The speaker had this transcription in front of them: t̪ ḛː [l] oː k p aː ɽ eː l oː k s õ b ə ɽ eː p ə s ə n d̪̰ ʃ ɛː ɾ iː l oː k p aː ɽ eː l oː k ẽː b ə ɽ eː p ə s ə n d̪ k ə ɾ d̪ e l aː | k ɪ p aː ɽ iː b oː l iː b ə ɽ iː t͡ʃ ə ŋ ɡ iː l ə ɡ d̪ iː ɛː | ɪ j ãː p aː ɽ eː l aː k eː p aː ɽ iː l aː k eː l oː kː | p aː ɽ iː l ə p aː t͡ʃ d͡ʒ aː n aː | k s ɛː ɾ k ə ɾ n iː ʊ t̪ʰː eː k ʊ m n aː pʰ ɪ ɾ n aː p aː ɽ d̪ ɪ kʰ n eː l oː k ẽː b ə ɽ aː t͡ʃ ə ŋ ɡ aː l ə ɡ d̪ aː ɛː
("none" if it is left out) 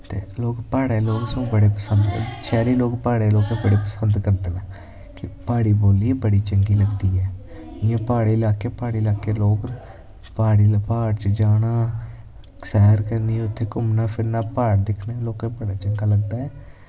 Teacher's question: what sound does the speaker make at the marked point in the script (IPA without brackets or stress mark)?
l